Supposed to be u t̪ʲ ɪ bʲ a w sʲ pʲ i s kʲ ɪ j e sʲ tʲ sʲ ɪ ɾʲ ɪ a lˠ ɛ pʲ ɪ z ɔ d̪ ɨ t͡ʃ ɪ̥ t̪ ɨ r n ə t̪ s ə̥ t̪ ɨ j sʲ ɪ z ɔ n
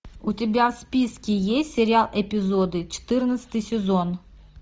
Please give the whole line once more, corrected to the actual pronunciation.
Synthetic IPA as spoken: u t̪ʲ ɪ bʲ a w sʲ pʲ i s kʲ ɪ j e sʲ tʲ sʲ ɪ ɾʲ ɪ a lˠ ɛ pʲ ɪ z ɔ d̪ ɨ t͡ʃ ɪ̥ t̪ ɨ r n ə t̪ s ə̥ t̪ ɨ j sʲ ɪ z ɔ n